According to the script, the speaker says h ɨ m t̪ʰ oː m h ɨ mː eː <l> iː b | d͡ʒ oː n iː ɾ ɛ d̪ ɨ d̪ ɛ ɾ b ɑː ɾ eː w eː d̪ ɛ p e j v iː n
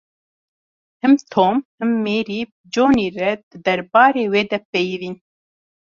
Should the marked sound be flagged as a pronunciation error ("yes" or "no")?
yes